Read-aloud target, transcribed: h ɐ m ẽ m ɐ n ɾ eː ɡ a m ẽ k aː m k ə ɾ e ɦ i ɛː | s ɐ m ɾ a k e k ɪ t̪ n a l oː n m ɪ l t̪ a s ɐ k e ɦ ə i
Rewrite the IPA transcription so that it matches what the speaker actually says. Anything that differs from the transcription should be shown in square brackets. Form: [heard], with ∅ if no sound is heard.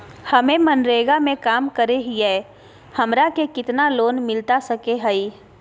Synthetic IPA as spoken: h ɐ m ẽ m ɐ n ɾ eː ɡ a m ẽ k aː m k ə ɾ e ɦ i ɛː | [h] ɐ m ɾ a k e k ɪ t̪ n a l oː n m ɪ l t̪ a s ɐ k e ɦ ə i